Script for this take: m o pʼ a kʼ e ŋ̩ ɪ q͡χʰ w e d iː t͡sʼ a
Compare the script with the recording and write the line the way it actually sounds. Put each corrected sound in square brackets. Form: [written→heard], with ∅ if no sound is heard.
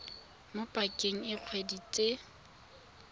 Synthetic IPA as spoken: m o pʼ a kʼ e ŋ̩ ɪ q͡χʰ w e d [iː→i] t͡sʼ [a→e]